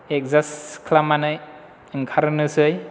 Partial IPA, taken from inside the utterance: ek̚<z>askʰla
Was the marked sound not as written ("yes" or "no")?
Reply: no